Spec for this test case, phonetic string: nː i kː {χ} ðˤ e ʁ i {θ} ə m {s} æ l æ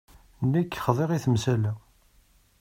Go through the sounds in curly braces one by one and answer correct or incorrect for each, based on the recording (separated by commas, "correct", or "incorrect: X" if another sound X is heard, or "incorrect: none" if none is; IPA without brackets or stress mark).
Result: correct, correct, correct